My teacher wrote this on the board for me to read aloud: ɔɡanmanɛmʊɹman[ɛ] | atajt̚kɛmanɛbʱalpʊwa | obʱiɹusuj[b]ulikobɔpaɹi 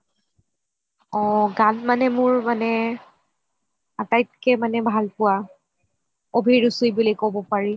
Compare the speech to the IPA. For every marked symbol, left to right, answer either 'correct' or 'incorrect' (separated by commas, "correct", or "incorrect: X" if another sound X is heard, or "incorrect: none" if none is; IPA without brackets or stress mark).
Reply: correct, correct